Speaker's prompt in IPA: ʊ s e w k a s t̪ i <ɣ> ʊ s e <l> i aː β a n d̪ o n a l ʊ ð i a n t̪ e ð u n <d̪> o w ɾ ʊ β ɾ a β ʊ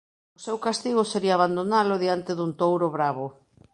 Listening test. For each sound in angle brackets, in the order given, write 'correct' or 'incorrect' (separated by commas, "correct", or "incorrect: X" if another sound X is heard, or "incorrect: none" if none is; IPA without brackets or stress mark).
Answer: correct, incorrect: ɾ, incorrect: t̪